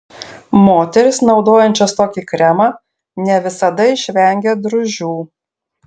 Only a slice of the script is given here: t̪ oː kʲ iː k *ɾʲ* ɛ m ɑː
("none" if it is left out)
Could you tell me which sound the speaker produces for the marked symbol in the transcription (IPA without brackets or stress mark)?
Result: ɾʲ